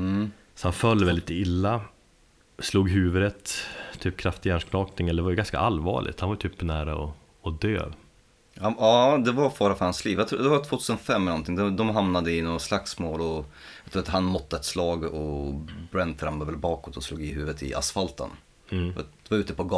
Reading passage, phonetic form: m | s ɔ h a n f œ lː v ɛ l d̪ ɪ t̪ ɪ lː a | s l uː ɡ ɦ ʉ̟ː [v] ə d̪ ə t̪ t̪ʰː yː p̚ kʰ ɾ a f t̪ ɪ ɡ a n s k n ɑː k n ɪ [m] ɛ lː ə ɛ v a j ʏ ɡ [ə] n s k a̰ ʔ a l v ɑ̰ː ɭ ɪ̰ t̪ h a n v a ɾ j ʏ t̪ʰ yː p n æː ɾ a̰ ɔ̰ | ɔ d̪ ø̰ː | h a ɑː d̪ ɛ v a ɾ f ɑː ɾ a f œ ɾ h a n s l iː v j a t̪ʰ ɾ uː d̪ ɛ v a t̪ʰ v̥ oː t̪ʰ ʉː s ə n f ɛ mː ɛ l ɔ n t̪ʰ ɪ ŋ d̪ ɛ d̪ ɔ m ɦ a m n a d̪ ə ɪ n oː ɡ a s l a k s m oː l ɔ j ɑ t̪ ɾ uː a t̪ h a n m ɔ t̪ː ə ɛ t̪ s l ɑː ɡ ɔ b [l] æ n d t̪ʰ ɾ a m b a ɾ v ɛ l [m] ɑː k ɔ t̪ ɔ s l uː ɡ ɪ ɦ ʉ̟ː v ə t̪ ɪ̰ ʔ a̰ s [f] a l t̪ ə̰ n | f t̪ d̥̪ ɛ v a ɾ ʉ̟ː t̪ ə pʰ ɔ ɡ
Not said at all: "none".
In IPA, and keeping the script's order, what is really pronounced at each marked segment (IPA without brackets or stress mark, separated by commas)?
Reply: v, ŋ, a, ɾ, b, f